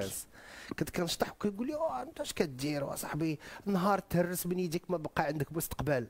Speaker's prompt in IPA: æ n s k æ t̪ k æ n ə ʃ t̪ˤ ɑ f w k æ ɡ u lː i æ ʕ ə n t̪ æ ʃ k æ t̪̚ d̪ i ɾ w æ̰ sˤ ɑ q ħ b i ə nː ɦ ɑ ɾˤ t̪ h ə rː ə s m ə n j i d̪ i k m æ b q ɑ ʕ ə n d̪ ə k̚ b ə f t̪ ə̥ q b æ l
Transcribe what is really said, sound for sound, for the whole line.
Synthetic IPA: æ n s k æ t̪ k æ n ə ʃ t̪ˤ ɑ ħ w k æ ɡ u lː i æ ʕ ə n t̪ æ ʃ k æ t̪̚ d̪ i ɾ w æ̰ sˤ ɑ ħ b i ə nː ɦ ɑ ɾˤ t̪ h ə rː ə s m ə n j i d̪ i k m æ b q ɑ ʕ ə n d̪ ə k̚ b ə s t̪ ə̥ q b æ l